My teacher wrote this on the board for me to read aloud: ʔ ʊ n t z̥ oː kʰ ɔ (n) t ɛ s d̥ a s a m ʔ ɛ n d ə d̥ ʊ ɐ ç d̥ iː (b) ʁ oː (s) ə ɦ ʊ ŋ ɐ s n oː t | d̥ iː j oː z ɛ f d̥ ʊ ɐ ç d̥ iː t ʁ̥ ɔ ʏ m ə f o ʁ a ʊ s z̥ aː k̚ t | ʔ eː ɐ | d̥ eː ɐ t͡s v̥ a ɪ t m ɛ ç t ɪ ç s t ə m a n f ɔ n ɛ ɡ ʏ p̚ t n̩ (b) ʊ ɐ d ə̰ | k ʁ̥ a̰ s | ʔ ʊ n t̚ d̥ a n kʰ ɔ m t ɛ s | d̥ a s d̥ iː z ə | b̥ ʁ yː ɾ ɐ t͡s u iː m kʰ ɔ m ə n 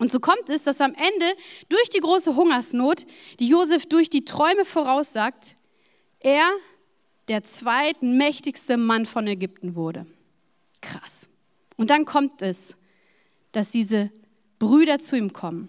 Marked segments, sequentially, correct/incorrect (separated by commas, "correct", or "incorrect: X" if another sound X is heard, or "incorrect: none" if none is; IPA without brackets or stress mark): incorrect: m, incorrect: ɡ, correct, incorrect: v